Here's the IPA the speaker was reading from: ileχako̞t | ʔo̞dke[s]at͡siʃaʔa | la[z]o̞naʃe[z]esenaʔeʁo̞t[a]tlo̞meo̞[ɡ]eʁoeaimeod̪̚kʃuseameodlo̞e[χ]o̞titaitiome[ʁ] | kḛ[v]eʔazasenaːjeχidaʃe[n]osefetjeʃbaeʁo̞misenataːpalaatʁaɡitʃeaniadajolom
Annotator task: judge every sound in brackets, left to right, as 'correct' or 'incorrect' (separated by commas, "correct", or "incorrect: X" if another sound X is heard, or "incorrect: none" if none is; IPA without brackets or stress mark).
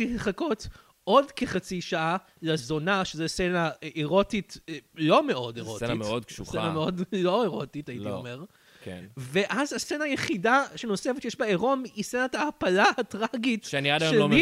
incorrect: χ, correct, correct, incorrect: i, incorrect: d, incorrect: ʁ, correct, correct, correct